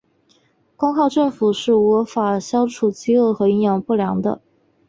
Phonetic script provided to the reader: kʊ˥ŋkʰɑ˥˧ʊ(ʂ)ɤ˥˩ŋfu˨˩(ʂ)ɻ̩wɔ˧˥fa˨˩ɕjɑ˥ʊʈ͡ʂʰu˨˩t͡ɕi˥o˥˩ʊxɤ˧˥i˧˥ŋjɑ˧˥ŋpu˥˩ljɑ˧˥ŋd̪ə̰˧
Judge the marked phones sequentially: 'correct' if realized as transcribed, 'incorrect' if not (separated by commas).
incorrect, correct